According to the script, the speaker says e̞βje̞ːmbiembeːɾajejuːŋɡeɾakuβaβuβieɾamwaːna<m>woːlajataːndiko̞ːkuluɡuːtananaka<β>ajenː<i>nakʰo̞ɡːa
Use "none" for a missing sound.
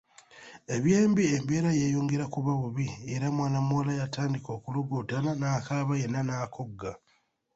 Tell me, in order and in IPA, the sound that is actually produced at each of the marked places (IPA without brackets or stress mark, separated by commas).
m, β, a